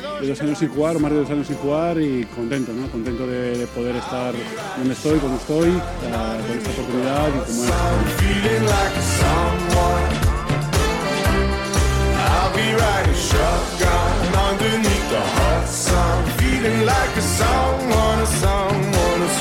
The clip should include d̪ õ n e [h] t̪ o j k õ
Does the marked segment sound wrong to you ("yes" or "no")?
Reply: yes